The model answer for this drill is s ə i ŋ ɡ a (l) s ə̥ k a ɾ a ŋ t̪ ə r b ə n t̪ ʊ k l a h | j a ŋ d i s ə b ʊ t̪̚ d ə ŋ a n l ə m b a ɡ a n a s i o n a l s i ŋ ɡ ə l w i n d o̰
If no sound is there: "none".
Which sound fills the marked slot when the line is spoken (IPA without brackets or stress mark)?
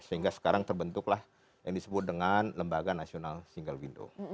none